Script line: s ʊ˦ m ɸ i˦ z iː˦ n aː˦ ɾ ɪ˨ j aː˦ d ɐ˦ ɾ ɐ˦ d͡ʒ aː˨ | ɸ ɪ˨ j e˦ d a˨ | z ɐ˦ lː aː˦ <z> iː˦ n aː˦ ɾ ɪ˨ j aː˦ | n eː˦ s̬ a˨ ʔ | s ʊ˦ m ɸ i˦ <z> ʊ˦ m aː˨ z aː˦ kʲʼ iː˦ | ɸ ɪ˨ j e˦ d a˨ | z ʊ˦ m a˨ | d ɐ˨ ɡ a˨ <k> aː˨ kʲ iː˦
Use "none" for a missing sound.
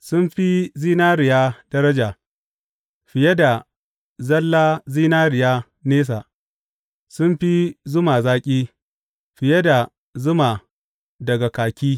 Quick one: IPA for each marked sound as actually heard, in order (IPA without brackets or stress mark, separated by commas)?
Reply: z, z, k